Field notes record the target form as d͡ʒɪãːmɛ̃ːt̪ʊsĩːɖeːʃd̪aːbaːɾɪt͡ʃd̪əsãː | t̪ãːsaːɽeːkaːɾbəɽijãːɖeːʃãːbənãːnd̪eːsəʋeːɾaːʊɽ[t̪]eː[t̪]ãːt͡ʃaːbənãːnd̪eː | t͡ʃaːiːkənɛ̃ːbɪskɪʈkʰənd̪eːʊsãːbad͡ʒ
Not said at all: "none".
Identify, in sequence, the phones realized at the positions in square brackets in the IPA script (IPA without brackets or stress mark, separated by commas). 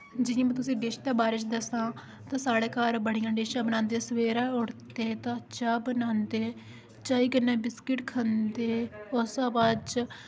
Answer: t̪, t̪